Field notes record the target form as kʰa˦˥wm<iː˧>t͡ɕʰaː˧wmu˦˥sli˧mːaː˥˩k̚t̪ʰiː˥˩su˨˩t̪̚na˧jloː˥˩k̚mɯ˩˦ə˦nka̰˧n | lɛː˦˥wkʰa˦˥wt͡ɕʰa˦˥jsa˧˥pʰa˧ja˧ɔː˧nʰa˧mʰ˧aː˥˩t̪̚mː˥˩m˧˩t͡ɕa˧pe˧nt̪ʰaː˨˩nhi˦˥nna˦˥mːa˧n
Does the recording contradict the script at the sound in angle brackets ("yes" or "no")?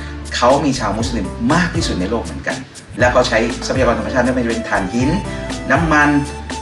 no